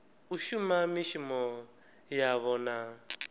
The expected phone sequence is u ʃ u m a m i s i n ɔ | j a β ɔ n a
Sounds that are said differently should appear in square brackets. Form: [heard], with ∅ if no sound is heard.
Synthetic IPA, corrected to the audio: u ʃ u m a m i [ʃ] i [m] ɔ | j a β ɔ n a